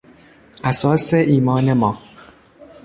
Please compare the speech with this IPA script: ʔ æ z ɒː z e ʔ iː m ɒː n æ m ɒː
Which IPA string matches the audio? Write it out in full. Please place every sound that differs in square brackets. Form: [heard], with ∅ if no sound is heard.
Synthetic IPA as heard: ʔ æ [s] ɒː [s] e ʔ iː m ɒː n [e] m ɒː